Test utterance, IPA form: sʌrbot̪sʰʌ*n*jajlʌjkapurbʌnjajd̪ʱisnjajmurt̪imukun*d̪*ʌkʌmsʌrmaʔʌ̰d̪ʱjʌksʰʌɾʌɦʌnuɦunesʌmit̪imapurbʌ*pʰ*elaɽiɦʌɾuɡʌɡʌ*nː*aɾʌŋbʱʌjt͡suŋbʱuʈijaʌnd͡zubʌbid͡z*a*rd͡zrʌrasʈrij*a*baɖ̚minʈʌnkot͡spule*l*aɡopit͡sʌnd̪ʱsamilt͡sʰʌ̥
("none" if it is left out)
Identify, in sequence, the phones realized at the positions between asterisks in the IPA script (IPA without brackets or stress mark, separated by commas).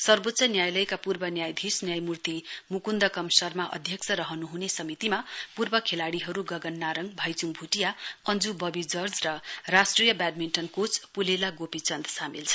n, d̪, kʰ, nː, ʌ, ʌ, l